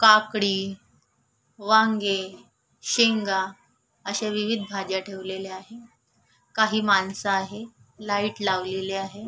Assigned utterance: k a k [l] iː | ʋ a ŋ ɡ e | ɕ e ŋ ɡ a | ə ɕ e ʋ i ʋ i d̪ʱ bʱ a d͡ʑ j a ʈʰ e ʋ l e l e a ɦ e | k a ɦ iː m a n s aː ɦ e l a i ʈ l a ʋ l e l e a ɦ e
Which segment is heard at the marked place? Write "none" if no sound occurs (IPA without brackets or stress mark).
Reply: ɽ